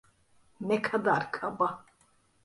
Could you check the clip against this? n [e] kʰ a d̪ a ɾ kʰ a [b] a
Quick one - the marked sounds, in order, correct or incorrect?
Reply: incorrect: ɛ, correct

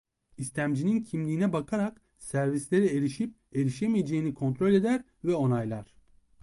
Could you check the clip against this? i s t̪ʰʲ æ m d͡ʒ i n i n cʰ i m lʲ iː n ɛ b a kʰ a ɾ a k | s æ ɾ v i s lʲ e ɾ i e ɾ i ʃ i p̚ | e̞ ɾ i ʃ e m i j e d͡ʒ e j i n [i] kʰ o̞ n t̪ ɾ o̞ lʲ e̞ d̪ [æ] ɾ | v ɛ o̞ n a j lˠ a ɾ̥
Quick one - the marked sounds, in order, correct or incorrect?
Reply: correct, correct

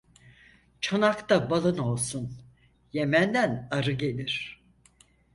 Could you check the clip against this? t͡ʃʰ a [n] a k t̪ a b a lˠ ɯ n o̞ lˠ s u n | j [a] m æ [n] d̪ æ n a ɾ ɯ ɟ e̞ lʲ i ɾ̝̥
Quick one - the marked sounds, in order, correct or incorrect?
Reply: correct, incorrect: e, correct

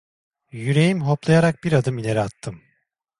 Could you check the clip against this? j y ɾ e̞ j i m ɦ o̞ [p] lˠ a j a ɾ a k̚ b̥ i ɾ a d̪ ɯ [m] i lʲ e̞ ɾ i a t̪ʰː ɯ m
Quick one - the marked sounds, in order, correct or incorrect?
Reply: correct, correct

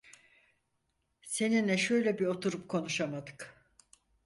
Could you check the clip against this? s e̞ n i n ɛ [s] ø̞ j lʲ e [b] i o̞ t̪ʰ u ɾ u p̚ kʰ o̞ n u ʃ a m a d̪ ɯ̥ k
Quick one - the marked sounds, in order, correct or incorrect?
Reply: incorrect: ʃ, correct

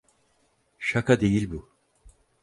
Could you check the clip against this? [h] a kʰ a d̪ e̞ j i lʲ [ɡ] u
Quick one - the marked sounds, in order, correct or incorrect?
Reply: incorrect: ʃ, incorrect: b

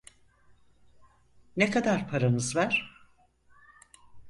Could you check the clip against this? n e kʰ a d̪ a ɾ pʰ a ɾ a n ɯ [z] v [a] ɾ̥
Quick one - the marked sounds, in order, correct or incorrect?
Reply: correct, incorrect: æ

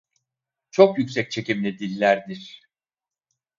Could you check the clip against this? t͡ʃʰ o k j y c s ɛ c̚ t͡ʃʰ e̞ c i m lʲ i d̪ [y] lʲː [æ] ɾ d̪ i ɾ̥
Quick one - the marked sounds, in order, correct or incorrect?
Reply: incorrect: i, correct

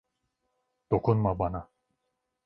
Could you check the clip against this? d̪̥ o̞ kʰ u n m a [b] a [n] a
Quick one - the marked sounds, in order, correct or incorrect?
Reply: correct, correct

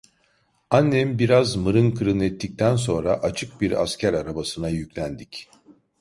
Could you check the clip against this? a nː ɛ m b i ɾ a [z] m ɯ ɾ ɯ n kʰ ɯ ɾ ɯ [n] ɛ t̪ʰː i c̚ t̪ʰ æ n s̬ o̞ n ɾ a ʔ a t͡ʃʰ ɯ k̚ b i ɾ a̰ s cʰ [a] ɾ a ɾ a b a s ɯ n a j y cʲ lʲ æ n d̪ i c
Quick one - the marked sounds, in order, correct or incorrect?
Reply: correct, correct, incorrect: æ

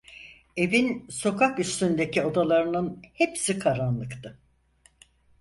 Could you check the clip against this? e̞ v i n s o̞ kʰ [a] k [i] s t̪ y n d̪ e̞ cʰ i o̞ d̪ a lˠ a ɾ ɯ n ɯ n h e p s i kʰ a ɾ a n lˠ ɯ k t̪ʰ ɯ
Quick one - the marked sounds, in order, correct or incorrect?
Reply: correct, incorrect: y

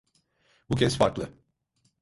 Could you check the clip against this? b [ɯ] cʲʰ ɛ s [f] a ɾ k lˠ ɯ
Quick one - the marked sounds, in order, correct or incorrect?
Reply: incorrect: u, correct

